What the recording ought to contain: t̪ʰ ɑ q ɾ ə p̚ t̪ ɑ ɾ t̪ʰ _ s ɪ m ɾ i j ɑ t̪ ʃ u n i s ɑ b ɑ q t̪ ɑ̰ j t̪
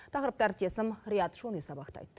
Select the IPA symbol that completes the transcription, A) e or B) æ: A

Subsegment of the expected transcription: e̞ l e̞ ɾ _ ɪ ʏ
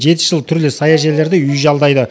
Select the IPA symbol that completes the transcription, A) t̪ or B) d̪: B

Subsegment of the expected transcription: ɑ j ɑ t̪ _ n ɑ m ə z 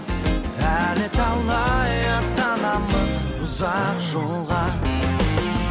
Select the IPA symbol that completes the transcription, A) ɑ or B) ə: A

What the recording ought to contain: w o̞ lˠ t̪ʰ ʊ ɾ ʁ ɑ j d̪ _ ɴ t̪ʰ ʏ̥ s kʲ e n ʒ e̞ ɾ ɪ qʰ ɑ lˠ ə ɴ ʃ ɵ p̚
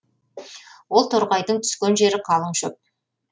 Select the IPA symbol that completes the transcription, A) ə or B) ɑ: A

